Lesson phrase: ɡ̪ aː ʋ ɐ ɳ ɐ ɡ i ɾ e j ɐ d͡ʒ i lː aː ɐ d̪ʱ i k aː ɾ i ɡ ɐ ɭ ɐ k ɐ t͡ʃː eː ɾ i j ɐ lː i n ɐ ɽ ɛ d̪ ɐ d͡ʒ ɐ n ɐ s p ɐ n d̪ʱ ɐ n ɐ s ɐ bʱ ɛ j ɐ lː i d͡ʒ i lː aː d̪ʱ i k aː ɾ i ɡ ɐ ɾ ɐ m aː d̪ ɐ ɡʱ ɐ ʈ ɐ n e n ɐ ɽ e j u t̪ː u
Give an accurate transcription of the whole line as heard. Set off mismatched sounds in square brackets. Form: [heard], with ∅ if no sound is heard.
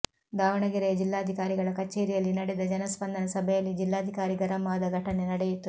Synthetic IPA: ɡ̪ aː ʋ ɐ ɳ ɐ ɡ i ɾ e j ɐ d͡ʒ i lː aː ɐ d̪ʱ i k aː ɾ i ɡ ɐ ɭ ɐ k ɐ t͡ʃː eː ɾ i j ɐ lː i n ɐ ɽ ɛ d̪ ɐ d͡ʒ ɐ n ɐ s p ɐ n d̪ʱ ɐ n ɐ s ɐ bʱ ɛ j ɐ lː i d͡ʒ i lː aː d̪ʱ i k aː ɾ i ɡ ɐ ɾ ɐ m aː d̪ ɐ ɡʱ ɐ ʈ ɐ n e n ɐ ɽ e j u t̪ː u